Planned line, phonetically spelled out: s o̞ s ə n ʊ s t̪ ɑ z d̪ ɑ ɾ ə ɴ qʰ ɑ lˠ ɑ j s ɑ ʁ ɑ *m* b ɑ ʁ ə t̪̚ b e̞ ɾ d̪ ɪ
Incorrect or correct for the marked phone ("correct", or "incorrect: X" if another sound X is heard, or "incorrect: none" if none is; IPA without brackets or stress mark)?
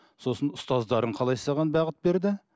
incorrect: n